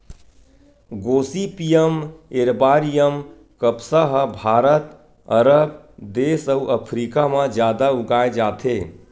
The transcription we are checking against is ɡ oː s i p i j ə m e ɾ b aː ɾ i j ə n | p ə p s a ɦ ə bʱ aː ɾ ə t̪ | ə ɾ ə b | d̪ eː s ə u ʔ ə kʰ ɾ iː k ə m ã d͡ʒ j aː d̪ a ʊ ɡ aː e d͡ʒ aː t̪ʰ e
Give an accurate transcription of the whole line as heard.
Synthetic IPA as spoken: ɡ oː s i p i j ə m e ɾ b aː ɾ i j ə m | k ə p s a ɦ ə bʱ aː ɾ ə t̪ | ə ɾ ə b | d̪ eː s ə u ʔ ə pʰ ɾ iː k a m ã d͡ʒ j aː d̪ a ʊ ɡ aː e d͡ʒ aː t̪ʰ e